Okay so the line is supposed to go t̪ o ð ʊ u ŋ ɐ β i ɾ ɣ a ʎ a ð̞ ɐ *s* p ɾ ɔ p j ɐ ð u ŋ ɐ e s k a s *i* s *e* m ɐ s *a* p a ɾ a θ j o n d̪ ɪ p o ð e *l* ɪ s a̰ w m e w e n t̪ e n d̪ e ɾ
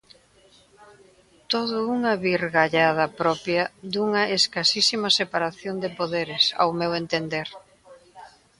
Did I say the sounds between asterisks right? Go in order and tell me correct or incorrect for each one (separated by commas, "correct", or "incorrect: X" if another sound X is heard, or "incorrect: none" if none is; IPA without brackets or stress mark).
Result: incorrect: none, correct, incorrect: i, incorrect: e, incorrect: ɾ